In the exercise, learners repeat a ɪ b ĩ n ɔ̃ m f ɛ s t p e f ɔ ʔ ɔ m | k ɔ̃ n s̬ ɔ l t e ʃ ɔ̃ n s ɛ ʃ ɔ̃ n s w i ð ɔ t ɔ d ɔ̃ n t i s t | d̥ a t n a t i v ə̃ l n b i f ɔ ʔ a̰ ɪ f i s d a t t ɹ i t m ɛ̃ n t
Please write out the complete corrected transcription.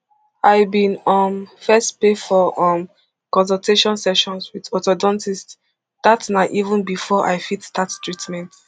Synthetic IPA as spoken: a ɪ b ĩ n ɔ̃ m f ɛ s t p e f ɔ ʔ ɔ m | k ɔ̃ n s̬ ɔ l t e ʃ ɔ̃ n s ɛ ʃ ɔ̃ n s w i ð ɔ t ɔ d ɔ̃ n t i s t | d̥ a t n a ʔ i v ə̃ n b i f ɔ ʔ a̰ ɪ f i t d a t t ɹ i t m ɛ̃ n t